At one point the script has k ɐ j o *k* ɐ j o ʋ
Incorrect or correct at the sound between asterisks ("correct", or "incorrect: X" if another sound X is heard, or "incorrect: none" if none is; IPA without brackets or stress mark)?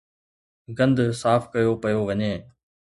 incorrect: p